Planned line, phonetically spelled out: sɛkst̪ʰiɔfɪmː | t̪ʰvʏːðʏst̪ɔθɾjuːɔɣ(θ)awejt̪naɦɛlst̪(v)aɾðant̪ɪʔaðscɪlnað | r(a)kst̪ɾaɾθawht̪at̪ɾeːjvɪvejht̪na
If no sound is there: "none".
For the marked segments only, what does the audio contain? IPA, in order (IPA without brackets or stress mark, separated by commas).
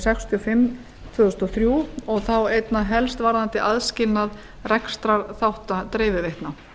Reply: θ, v, ɛ